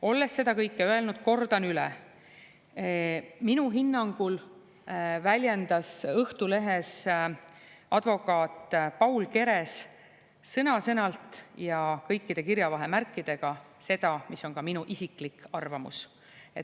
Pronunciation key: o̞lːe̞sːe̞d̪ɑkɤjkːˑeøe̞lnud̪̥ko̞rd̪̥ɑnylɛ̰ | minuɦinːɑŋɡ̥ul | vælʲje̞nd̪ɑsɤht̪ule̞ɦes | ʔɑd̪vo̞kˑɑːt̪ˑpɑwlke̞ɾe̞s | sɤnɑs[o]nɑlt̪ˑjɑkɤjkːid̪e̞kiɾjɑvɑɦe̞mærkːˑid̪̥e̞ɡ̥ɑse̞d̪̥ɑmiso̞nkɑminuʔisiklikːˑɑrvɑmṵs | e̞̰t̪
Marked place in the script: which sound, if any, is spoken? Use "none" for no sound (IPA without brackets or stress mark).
ɤ